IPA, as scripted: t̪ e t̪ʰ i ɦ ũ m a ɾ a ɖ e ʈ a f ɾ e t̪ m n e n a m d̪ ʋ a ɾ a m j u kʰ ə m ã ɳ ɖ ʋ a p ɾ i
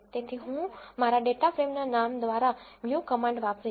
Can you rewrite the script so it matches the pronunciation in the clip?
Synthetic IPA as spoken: t̪ e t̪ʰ i ɦ ũ m a ɾ a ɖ e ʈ a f ɾ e m n a n a m d̪ ʋ a ɾ a m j u k ə m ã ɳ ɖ ʋ a p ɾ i